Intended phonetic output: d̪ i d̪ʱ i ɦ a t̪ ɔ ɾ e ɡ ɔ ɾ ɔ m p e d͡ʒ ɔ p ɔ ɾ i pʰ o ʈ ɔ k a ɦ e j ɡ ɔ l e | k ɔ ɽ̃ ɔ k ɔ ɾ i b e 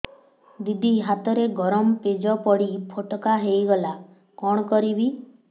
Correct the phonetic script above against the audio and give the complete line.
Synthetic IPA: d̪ i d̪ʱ i ɦ a t̪ ɔ ɾ e ɡ ɔ ɾ ɔ m p e d͡ʒ ɔ p ɔ ɽ i pʰ o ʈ ɔ k a ɦ e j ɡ ɔ l a | k ɔ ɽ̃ ɔ k ɔ ɾ i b i

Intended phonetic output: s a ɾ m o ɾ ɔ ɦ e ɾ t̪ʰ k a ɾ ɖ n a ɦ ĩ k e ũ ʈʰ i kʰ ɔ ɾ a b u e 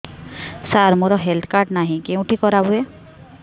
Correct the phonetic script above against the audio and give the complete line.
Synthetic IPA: s a ɾ m o ɾ ɔ ɦ e l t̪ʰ k a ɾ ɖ n a ɦ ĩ k e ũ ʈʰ i k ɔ ɾ a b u e

